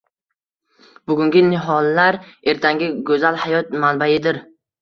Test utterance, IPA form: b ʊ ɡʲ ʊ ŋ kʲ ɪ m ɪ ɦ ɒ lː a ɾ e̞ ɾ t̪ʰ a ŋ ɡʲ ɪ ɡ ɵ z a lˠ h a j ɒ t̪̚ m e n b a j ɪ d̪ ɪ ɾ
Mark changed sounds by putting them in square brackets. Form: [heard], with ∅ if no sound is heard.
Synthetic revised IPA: b ʊ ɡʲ ʊ ŋ [ɡʲ] ɪ [n] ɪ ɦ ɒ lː a ɾ e̞ ɾ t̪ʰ a ŋ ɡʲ ɪ ɡ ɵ z a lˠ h a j ɒ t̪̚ m [a] n b a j ɪ d̪ ɪ ɾ

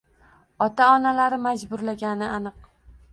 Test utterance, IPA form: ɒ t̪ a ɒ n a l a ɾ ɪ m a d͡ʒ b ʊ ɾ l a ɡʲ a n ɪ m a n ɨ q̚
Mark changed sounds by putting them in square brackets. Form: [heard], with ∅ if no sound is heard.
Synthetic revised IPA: ɒ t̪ a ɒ n a l a ɾ ɪ m a d͡ʒ b ʊ ɾ l a ɡʲ a n ɪ [∅] a n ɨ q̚

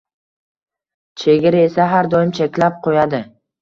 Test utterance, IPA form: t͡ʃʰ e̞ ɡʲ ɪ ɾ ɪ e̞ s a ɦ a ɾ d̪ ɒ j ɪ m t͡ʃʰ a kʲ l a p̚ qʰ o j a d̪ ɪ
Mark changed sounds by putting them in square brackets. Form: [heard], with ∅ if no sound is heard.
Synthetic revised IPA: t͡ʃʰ e̞ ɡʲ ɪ ɾ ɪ e̞ s a ɦ a ɾ d̪ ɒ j ɪ m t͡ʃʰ [e] kʲ l a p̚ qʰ o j a d̪ ɪ

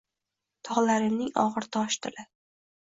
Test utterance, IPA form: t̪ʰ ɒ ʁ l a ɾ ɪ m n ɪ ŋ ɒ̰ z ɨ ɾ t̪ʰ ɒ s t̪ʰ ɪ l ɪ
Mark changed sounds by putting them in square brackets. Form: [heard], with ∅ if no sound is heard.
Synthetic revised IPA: t̪ʰ ɒ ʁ l a ɾ ɪ m n ɪ ŋ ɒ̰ [ʁ] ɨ ɾ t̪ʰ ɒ [ʃ] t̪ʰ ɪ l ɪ

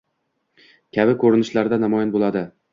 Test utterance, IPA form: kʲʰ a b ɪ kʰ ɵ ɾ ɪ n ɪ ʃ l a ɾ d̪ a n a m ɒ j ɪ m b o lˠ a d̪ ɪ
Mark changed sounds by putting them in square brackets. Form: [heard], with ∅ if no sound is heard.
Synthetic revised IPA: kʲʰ a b ɪ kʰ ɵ ɾ ɪ n ɪ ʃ l a ɾ d̪ a n a m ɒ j ɪ [n] b o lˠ a d̪ ɪ

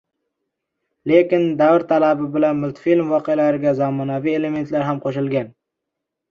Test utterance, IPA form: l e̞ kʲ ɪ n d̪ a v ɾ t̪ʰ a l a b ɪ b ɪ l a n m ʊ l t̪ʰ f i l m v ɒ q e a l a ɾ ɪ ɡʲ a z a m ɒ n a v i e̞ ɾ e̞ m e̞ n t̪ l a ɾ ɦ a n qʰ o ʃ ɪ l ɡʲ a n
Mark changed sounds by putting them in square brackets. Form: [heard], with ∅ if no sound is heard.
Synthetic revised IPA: l e̞ kʲ ɪ n d̪ a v ɾ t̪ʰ a l a b ɪ b ɪ l a n m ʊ l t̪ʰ f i l m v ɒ q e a l a ɾ ɪ ɡʲ a z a m ɒ n a v i e̞ [l] e̞ m e̞ n t̪ l a ɾ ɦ a [m] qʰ o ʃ ɪ l ɡʲ a n

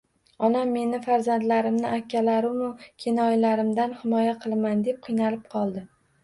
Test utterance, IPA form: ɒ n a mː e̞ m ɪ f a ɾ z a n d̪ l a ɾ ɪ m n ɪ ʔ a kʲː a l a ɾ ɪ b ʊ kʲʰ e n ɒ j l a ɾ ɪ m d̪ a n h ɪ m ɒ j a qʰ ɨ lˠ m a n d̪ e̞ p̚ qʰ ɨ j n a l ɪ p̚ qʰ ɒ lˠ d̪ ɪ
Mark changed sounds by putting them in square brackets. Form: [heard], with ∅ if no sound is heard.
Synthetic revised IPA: ɒ n a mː e̞ [n] ɪ f a ɾ z a n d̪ l a ɾ ɪ m n ɪ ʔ a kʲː a l a ɾ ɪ [m] ʊ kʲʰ e n ɒ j l a ɾ ɪ m d̪ a n h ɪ m ɒ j a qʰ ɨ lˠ m a n d̪ e̞ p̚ qʰ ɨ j n a l ɪ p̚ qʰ ɒ lˠ d̪ ɪ

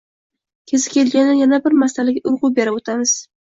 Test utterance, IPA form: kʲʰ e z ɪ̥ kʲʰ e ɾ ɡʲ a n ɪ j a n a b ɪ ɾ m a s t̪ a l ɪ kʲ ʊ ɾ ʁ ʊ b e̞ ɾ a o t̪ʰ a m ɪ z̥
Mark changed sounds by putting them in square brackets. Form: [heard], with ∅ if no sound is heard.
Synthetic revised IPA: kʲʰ e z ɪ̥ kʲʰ e [l] ɡʲ a n ɪ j a n a b ɪ ɾ m a s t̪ a l ɪ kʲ ʊ ɾ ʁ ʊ b e̞ ɾ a o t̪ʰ a m ɪ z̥

